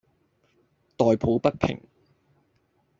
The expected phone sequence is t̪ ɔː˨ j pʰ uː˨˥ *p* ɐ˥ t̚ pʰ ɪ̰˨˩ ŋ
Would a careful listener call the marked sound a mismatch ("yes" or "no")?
no